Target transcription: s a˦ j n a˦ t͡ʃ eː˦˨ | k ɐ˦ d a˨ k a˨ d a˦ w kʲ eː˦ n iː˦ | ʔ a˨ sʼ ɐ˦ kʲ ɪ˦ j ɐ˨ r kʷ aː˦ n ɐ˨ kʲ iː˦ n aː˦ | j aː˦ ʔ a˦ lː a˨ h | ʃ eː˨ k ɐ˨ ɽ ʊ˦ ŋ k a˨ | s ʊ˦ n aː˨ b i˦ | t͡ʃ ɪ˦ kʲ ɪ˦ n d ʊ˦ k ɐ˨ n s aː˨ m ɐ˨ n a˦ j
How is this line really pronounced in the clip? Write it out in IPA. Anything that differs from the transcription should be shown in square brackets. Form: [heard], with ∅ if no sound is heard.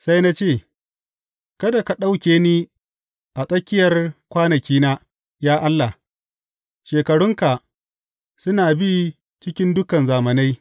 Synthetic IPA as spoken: s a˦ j n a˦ t͡ʃ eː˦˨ | k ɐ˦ d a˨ k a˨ [ɗ] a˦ w kʲ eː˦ n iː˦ | ʔ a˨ sʼ ɐ˦ kʲ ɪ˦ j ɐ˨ r kʷ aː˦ n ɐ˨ kʲ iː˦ n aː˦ | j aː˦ ʔ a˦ lː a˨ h | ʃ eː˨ k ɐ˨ ɽ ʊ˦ ŋ k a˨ | s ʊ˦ n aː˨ b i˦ | t͡ʃ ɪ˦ kʲ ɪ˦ n d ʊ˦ k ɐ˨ n [z] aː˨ m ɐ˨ n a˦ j